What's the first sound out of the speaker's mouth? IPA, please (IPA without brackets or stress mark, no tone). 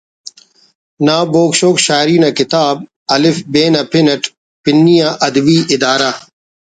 n